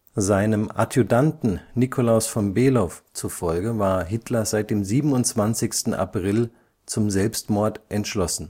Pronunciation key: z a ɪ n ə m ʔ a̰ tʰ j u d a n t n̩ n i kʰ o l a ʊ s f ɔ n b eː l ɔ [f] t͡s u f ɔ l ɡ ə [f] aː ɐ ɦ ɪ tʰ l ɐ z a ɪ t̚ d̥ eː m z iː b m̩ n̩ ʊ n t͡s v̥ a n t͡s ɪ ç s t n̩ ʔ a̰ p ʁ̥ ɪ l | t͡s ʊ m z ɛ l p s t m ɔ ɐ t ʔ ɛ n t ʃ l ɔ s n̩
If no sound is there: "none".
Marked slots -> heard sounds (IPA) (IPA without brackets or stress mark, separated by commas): f, v